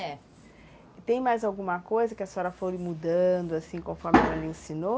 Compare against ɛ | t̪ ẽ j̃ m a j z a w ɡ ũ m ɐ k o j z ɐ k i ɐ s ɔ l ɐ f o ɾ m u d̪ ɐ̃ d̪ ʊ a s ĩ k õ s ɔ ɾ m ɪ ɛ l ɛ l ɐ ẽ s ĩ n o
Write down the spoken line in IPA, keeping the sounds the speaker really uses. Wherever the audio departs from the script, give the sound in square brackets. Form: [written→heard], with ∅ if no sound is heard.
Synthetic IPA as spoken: ɛ | t̪ ẽ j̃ m a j z a w ɡ ũ m ɐ k o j z ɐ k [i→ɪ] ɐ s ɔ [l→ɾ] ɐ f o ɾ m u d̪ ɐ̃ d̪ ʊ a s ĩ k õ [s→f] ɔ ɾ m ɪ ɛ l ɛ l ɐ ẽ s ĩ n o